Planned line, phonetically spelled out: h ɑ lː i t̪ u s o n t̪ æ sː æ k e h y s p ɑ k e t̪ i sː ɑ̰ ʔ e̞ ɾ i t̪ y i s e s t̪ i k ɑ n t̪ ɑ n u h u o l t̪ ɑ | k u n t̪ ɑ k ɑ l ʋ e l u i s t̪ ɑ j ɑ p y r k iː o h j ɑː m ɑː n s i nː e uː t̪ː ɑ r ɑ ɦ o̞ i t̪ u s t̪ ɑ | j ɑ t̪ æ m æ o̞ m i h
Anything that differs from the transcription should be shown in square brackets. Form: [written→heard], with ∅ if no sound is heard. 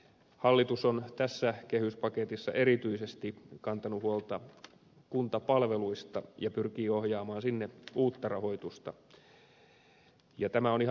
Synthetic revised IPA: h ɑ lː i t̪ u s o n t̪ æ sː æ k e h y s p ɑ k e t̪ i sː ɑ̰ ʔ e̞ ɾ i t̪ y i s e s t̪ i k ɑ n t̪ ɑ n u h u o l t̪ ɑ | k u n t̪ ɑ [k→p] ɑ l ʋ e l u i s t̪ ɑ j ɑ p y r k iː o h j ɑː m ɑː n s i nː e uː t̪ː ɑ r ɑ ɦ o̞ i t̪ u s t̪ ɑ | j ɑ t̪ æ m æ o̞ [m→n] i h

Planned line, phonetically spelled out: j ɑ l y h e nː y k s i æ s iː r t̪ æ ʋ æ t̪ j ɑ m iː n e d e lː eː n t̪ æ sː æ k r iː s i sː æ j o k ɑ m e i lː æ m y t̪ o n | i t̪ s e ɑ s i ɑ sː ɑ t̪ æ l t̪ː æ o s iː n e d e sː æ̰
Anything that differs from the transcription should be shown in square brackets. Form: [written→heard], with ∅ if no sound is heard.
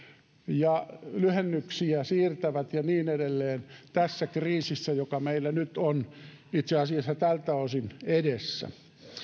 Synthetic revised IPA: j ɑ l y h e nː y k s i æ s iː r t̪ æ ʋ æ t̪ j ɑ [m→n] iː n e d e lː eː n t̪ æ sː æ k r iː s i sː æ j o k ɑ m e i lː æ [m→n] y t̪ o n | i t̪ s e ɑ s i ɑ sː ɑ t̪ æ l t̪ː æ o s [iː→i] n e d e sː æ̰

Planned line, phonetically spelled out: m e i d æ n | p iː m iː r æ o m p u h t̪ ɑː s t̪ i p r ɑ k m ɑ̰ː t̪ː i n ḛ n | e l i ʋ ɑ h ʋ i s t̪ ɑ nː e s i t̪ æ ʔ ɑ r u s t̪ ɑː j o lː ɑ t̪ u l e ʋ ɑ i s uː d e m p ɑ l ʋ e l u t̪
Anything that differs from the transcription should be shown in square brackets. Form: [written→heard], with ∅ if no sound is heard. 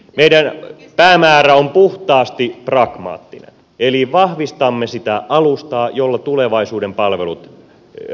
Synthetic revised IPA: m e i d æ n | p [iː→æː] m [iː→æː] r æ o m p u h t̪ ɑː s t̪ i p r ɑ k m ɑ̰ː t̪ː i n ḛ n | e l i ʋ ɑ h ʋ i s t̪ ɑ [nː→mː] e s i t̪ æ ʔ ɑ [r→l] u s t̪ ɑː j o lː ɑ t̪ u l e ʋ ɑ i s uː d e m p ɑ l ʋ e l u t̪

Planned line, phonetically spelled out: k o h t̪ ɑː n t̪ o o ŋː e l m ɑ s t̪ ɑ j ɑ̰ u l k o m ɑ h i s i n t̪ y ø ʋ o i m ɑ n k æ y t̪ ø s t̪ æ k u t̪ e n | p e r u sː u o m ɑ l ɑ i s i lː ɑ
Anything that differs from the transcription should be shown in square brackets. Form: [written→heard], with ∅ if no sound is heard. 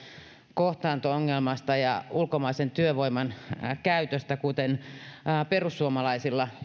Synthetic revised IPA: k o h t̪ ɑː n t̪ o o ŋː e l m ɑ s t̪ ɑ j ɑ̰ u l k o m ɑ [h→∅] i s [i→e] n t̪ y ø ʋ o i m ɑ n k æ y t̪ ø s t̪ æ k u t̪ e n | p e r u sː u o m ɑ l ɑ i s i lː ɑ

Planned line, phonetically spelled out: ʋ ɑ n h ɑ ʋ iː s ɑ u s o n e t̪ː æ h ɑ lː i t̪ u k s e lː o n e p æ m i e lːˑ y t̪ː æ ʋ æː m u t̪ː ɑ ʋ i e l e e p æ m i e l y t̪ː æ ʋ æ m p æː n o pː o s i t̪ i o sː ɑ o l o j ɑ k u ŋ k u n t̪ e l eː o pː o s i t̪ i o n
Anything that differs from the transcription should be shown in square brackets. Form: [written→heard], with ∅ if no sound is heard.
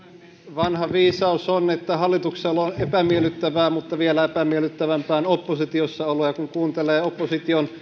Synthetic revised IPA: ʋ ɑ n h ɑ ʋ iː s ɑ u s o n e t̪ː æ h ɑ lː i t̪ u k s e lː o n e p æ m i e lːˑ y t̪ː æ ʋ æː m u t̪ː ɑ ʋ i e l [e→æ] e p æ m i e l y t̪ː æ ʋ æ m p æː n o pː o s i t̪ i o sː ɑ o l o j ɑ k u ŋ k [u→uː] n t̪ e l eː o pː o s i t̪ i o n

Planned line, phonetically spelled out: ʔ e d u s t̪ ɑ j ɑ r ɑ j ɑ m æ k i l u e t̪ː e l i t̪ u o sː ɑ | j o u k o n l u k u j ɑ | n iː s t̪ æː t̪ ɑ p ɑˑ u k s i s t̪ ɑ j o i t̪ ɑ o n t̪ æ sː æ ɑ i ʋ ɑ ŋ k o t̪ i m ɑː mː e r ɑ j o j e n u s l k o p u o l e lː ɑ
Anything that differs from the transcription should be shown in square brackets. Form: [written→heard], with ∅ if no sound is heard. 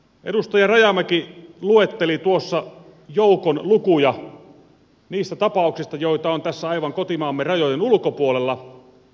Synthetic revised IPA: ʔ e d u s t̪ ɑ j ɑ r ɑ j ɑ m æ k i l u e t̪ː e l i t̪ u o sː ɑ | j o u k o n l u k u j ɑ | n iː s t̪ [æː→æ] t̪ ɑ p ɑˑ u k s i s t̪ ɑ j o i t̪ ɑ o n t̪ æ sː æ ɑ i ʋ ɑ ŋ k o t̪ i m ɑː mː e r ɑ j o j e n u [s→∅] l k o p u o l e lː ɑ

